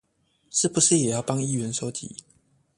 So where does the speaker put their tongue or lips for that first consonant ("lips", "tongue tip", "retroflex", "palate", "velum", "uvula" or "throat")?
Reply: retroflex